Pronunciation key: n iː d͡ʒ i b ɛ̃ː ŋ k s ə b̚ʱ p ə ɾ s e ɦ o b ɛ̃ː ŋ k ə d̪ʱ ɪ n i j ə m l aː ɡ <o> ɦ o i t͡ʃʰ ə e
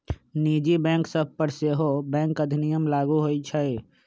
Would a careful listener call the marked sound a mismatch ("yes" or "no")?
yes